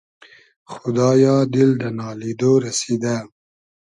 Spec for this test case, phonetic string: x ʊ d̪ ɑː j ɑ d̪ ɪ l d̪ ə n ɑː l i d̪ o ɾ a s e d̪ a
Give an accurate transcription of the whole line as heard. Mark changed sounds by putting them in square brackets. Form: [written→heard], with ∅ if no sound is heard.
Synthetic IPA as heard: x ʊ d̪ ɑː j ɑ d̪ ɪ l d̪ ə n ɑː l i d̪ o ɾ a s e d̪ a